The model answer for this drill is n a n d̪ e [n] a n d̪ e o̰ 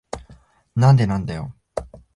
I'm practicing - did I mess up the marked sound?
no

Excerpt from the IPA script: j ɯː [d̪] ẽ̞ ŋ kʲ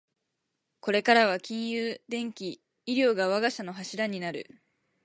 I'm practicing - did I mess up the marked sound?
no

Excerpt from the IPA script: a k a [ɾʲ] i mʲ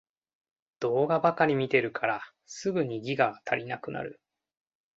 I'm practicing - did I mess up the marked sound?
no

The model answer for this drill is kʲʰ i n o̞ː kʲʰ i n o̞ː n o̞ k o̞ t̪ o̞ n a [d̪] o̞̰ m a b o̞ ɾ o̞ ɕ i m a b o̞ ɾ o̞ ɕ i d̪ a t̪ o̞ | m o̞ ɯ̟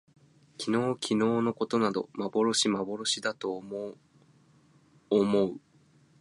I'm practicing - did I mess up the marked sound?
no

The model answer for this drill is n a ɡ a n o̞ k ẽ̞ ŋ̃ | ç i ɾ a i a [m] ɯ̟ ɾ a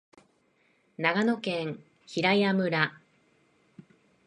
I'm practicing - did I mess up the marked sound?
no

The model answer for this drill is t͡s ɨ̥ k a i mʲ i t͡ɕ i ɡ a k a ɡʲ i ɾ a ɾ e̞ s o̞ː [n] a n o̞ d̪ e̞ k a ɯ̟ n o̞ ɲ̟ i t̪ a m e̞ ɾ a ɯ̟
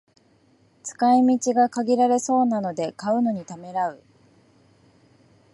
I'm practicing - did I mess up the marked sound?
no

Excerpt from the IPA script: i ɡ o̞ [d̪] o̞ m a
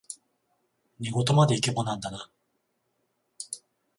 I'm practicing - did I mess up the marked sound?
yes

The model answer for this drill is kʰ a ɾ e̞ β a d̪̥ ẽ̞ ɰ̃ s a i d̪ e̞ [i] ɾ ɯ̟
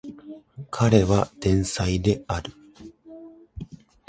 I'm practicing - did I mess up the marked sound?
yes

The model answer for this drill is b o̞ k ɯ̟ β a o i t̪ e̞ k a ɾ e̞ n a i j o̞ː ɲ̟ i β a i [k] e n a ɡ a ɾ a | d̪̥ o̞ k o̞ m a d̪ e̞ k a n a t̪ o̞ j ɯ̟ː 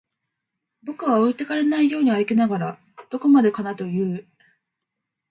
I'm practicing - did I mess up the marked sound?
no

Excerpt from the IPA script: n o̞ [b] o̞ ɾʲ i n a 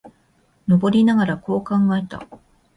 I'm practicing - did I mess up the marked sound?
no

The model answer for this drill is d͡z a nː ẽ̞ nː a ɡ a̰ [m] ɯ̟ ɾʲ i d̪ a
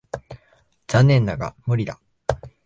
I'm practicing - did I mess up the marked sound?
no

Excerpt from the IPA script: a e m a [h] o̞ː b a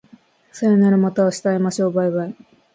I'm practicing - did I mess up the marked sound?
yes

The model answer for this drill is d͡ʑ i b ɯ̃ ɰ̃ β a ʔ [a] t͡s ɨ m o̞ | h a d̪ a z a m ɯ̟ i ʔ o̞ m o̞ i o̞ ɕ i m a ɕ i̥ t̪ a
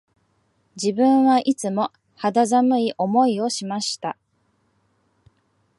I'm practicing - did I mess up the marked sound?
yes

